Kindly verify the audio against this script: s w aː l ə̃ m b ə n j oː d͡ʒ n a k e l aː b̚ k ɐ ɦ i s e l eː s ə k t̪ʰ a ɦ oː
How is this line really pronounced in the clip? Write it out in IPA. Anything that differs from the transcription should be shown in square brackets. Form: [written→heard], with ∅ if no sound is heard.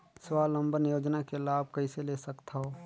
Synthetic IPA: s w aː l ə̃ m b ə n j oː d͡ʒ n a k e l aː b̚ k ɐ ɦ i s e l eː s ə k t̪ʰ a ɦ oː